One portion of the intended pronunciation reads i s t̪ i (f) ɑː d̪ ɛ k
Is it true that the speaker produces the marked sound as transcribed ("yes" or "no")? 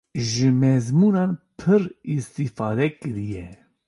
yes